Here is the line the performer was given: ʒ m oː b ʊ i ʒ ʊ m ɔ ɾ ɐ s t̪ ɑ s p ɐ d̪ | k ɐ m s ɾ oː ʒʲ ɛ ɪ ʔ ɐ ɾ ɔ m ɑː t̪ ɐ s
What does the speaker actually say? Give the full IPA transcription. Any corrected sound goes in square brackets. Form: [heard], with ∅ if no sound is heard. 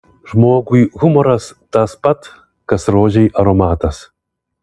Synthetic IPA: ʒ m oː [ɡ] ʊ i [ɣ] ʊ m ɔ ɾ ɐ s t̪ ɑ s p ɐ [t̪] | k ɐ [∅] s ɾ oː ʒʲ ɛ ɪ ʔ ɐ ɾ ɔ m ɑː t̪ ɐ s